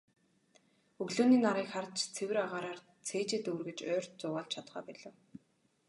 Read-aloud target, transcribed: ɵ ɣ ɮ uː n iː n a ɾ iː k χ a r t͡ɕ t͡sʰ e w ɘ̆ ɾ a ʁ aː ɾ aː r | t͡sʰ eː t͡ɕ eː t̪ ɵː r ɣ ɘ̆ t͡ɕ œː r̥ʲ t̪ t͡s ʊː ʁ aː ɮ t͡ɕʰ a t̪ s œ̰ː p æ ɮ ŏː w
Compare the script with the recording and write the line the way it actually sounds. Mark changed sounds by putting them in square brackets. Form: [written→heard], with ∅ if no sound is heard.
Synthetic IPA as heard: ɵ ɣ ɮ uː n iː n a ɾ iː k χ a r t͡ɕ t͡sʰ e w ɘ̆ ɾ a ʁ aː ɾ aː r | t͡sʰ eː t͡ɕ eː t̪ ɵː r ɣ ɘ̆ t͡ɕ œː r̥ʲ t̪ t͡s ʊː ʁ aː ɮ t͡ɕʰ a t̪ [s→χ] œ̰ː p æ ɮ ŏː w